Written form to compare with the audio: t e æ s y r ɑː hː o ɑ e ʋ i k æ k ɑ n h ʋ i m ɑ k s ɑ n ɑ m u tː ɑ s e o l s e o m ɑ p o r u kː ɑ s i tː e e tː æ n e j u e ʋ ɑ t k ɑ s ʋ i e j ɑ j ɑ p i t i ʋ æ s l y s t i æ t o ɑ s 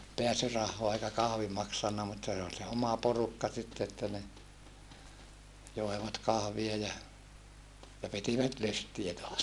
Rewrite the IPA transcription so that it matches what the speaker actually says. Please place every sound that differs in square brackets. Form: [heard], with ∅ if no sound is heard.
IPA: [p] e æ s y r [ɑ] hː o ɑ e [∅] i k æ k ɑ [∅] h ʋ i m ɑ k s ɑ [nː] ɑ m u tː ɑ s e o l s e o m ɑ p o r u kː ɑ s i tː e e tː æ n e j [o] e ʋ ɑ t k ɑ [h] ʋ i e j ɑ j ɑ p i t i ʋ æ [t] l y s t i æ t o ɑ s